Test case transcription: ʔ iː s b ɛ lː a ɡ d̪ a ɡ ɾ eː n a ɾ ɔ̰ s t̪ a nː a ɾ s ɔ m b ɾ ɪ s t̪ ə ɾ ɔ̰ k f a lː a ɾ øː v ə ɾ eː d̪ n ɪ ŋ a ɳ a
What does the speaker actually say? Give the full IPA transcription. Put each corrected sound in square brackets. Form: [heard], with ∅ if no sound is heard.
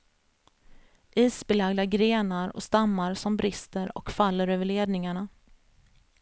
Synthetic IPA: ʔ iː s b ɛ [l] a ɡ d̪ a ɡ ɾ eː n a ɾ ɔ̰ s t̪ a [mː] a ɾ s ɔ m b ɾ ɪ s t̪ ə ɾ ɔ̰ k f a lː [ə] ɾ øː v ə [ɭ] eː d̪ n ɪ ŋ a ɳ a